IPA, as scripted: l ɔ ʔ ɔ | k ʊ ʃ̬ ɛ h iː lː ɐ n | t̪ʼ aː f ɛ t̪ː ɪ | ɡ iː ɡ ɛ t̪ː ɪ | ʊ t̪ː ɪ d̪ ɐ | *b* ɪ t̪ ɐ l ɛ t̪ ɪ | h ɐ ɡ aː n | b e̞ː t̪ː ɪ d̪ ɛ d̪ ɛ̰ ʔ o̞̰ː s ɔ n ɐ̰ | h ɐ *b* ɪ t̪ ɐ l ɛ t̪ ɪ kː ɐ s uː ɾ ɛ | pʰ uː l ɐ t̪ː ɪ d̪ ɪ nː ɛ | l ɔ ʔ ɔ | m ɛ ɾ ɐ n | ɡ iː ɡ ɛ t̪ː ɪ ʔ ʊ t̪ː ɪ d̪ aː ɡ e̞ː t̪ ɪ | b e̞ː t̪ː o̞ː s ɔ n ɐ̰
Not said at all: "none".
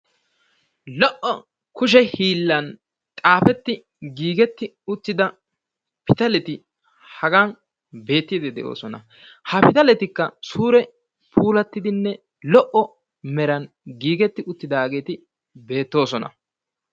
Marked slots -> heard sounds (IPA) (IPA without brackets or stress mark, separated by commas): p, p